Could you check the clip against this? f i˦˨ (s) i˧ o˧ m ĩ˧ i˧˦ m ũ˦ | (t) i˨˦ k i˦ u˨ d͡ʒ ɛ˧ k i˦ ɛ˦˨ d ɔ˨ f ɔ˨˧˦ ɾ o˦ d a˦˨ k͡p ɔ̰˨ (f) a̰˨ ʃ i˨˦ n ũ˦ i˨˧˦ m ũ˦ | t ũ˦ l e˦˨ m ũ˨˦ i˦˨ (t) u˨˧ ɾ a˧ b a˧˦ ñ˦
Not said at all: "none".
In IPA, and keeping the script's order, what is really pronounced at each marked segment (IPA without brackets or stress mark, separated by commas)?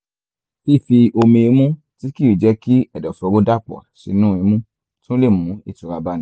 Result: f, t, none, t